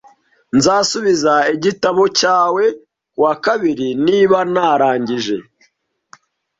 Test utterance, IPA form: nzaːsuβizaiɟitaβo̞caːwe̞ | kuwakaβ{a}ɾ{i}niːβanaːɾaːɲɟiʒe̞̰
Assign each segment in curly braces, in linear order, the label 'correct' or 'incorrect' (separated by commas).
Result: incorrect, correct